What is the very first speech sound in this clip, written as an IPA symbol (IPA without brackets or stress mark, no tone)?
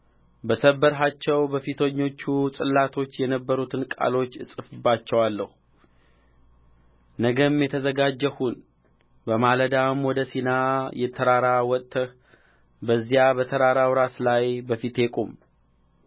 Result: b